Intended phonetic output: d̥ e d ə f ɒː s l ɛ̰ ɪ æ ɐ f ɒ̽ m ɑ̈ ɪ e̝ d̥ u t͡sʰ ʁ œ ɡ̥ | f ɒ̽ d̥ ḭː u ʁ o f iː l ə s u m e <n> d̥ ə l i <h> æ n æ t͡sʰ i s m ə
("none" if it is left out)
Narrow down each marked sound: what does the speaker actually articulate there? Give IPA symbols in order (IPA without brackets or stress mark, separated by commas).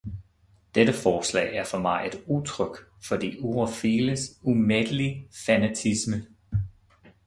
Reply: none, f